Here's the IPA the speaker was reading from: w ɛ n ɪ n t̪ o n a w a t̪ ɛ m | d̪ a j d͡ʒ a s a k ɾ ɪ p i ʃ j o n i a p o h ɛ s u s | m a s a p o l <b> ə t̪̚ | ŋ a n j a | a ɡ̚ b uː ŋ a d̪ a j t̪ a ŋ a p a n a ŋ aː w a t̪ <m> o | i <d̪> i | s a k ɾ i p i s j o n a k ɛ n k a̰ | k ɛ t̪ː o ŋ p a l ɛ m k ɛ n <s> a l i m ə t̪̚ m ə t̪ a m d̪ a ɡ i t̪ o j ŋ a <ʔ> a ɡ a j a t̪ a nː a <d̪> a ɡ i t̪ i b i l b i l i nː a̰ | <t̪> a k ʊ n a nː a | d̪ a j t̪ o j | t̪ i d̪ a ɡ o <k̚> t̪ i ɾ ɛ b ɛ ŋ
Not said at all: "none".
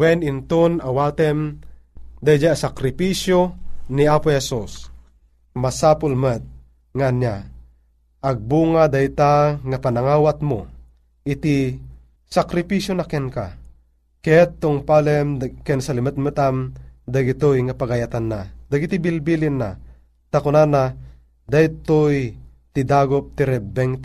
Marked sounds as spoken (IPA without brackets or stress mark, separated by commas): m, m, t̪, s, p, d̪, t̪, p̚